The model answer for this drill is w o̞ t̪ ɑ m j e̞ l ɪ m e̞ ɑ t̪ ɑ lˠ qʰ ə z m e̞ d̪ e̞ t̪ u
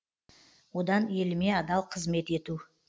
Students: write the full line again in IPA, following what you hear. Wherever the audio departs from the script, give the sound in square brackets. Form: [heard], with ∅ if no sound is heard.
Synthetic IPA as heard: w o̞ [d̪] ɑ [n] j e̞ l ɪ m e̞ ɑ [d̪] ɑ lˠ qʰ ə z m e̞ [t̪] e̞ t̪ u